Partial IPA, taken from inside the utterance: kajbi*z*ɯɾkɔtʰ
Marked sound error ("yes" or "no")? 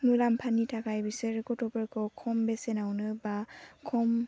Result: yes